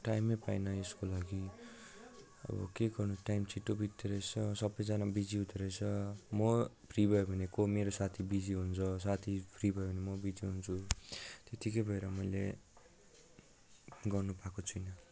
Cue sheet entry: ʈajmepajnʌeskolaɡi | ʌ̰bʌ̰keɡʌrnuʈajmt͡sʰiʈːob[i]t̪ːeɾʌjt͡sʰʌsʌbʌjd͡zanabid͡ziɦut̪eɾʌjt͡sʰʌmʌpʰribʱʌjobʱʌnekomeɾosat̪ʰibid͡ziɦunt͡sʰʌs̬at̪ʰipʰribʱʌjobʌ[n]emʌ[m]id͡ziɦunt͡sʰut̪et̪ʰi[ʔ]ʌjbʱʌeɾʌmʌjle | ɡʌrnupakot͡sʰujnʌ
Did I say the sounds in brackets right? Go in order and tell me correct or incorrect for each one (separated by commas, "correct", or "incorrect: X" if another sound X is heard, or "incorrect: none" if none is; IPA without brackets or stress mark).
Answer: correct, correct, incorrect: b, incorrect: k